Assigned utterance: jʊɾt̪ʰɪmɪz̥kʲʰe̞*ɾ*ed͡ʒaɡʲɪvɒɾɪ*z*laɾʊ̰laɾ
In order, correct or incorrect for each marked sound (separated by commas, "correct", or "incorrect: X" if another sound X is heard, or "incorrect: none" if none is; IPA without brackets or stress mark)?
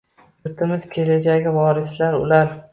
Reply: incorrect: l, incorrect: s